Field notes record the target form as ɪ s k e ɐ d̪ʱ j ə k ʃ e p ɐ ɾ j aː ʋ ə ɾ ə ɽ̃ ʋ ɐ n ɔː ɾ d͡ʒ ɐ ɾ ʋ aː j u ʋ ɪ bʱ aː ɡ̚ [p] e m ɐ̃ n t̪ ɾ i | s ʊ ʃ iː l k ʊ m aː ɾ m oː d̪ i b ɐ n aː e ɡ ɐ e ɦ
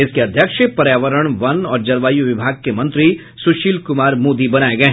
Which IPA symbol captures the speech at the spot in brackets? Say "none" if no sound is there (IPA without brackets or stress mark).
k